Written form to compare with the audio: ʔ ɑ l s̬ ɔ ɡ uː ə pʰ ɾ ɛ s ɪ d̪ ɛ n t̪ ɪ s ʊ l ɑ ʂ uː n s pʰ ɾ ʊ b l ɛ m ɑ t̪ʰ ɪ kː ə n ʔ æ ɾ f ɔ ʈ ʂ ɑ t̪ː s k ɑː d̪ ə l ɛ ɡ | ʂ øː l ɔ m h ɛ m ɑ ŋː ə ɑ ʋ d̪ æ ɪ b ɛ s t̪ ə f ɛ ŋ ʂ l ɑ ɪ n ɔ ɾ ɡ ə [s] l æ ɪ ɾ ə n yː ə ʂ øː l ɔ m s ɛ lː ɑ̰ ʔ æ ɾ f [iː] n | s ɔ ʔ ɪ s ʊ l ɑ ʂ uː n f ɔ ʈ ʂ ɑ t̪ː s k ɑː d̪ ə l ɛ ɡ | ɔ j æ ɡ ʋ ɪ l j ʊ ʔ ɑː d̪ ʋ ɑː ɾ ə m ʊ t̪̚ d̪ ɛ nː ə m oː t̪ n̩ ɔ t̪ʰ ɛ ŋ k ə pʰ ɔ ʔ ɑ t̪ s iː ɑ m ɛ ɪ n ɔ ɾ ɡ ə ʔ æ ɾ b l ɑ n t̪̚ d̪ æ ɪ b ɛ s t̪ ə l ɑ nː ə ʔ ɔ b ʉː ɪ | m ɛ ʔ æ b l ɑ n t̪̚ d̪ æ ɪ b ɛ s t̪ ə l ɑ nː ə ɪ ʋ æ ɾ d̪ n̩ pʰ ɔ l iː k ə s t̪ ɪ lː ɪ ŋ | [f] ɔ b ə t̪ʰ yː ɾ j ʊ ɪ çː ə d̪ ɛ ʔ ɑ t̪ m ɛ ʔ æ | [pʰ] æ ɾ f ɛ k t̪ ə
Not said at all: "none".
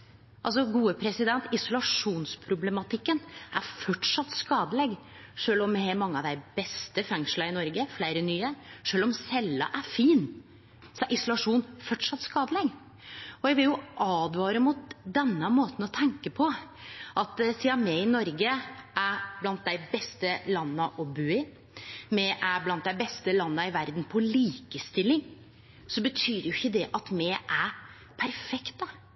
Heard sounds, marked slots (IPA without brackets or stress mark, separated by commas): f, iː, s, pʰ